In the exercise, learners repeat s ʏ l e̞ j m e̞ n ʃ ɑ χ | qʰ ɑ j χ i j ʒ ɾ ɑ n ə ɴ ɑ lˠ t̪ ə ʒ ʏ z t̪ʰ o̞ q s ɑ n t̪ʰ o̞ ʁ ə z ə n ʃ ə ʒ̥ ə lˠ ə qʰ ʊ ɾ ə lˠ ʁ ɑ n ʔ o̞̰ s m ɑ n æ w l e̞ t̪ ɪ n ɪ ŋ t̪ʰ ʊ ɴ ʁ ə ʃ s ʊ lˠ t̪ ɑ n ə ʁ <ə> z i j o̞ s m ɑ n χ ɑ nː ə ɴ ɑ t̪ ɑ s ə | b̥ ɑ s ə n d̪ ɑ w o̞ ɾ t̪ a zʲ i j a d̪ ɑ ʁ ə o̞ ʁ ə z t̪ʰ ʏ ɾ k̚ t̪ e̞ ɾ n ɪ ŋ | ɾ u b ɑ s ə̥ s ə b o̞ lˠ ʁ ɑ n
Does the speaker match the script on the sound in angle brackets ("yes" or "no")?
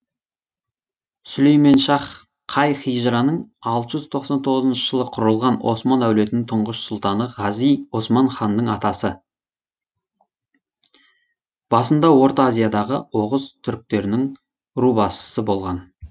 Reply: no